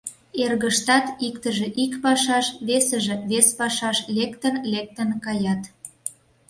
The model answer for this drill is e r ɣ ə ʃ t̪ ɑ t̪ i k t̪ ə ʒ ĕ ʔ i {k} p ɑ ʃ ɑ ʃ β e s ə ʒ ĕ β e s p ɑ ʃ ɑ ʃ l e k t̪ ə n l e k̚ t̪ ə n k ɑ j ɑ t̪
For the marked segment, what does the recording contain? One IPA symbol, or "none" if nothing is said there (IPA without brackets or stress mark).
k